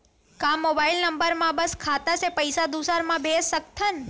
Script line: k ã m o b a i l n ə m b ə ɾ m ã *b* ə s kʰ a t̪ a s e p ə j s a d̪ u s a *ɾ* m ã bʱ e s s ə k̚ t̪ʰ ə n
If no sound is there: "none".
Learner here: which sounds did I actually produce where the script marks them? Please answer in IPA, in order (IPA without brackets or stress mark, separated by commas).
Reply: b, ɾ